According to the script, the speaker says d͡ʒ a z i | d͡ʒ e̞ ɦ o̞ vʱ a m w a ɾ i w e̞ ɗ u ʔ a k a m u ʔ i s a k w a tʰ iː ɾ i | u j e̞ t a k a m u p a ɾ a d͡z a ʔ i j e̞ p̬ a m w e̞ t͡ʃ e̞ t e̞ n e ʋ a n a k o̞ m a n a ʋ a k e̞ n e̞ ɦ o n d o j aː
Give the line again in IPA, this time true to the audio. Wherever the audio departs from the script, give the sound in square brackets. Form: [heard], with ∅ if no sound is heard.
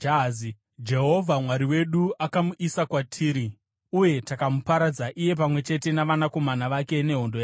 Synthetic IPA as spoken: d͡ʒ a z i | d͡ʒ e̞ ɦ o̞ vʱ a m w a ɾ i w e̞ ɗ u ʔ a k a m u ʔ i s a k w a tʰ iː ɾ i | u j e̞ t a k a m u p a ɾ a d͡z a ʔ i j e̞ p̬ a m w e̞ t͡ʃ e̞ t e̞ n [a] ʋ a n a k o̞ m a n a ʋ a k e̞ n e̞ ɦ o n d o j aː